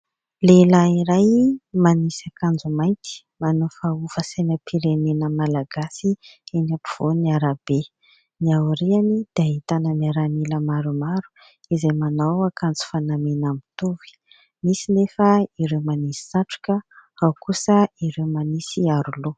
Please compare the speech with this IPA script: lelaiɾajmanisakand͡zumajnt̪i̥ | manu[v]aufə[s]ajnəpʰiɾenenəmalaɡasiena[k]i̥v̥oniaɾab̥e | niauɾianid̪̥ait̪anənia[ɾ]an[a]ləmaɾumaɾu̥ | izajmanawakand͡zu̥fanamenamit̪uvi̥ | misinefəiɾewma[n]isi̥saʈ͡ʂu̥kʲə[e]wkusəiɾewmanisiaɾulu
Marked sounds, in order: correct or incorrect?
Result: incorrect, correct, incorrect, correct, incorrect, correct, incorrect

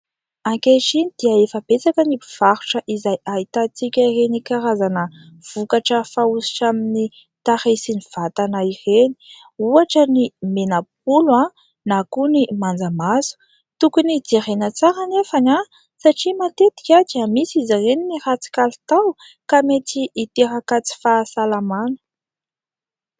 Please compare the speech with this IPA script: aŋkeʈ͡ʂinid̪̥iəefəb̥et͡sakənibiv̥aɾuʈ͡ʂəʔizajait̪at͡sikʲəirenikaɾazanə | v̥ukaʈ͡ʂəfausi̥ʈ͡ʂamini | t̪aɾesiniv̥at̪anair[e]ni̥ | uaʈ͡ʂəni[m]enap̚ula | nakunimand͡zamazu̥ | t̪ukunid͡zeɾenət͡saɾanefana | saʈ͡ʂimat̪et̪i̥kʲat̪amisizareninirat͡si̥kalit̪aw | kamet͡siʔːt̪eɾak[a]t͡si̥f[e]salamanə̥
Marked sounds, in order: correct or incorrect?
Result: correct, correct, correct, incorrect

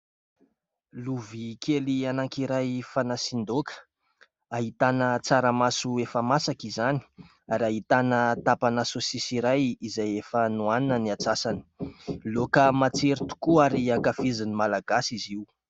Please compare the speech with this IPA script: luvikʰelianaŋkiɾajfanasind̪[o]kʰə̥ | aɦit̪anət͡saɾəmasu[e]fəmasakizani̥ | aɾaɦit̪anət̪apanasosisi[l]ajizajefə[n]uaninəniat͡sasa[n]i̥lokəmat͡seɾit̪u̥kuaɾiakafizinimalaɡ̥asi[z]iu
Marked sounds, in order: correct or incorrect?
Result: correct, correct, incorrect, correct, correct, correct

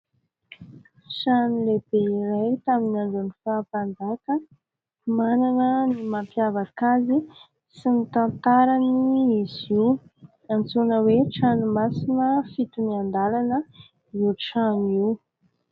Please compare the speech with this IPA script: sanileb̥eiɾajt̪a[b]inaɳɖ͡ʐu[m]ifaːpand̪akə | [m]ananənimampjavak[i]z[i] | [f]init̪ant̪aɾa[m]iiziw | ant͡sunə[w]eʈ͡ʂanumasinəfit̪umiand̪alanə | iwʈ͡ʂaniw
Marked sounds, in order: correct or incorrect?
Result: incorrect, incorrect, correct, incorrect, correct, incorrect, incorrect, correct

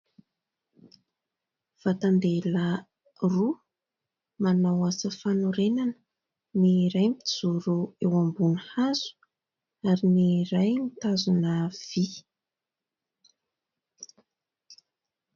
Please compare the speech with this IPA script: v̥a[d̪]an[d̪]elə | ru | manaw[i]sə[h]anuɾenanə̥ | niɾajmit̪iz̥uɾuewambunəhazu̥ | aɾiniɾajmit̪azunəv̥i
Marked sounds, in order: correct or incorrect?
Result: incorrect, correct, incorrect, incorrect

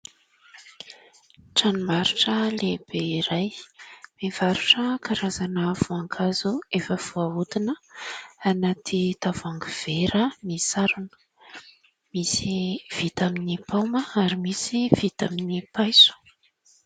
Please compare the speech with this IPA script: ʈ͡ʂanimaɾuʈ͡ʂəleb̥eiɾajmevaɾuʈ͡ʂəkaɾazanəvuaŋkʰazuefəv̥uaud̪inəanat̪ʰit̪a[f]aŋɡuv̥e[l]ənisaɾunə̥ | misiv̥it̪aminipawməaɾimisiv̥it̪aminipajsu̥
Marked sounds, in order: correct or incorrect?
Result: incorrect, incorrect

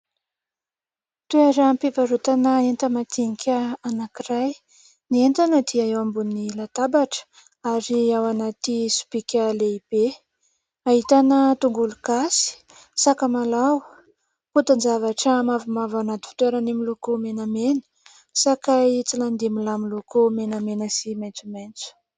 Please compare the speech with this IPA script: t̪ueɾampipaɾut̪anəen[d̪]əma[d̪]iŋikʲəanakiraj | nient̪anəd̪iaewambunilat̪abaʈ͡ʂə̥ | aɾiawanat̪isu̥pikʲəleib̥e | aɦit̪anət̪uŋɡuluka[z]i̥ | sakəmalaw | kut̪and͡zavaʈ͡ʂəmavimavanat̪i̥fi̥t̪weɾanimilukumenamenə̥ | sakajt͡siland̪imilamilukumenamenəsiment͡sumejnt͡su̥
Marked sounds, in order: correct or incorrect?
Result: incorrect, incorrect, incorrect

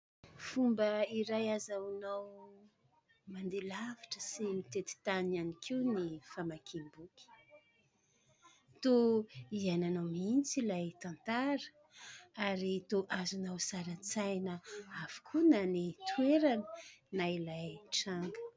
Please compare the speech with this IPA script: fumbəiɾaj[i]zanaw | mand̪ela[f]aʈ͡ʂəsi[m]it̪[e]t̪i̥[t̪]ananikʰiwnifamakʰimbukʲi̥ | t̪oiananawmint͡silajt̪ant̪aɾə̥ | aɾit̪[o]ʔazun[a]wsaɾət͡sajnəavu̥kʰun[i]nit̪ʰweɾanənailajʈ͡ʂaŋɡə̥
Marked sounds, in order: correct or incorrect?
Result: incorrect, incorrect, correct, correct, correct, correct, correct, incorrect

